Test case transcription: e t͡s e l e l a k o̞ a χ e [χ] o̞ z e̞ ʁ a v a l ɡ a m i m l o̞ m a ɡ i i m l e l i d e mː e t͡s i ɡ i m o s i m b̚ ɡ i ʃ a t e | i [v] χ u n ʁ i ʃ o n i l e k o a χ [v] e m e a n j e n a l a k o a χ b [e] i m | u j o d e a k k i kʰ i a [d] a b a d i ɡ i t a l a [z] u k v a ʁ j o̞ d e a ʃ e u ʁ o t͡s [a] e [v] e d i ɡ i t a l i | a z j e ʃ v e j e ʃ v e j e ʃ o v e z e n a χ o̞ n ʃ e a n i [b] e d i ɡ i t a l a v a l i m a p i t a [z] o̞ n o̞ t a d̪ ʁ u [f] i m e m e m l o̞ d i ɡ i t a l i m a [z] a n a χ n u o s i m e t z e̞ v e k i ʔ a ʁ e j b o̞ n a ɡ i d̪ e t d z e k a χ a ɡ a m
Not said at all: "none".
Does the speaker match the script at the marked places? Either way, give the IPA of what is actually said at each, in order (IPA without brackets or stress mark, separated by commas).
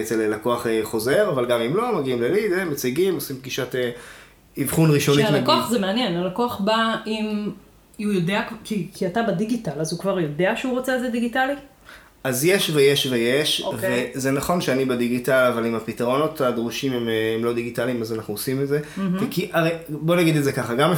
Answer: χ, v, z, a, t, z, e, z, b, ʁ, ʃ, z